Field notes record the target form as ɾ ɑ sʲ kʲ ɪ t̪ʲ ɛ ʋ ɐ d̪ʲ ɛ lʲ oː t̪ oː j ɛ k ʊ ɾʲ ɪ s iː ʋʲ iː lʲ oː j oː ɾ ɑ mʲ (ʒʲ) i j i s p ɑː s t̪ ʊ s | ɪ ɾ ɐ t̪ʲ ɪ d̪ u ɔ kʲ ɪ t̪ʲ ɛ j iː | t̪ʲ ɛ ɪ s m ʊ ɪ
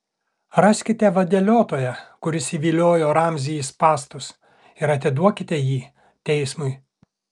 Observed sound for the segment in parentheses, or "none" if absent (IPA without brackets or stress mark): zʲ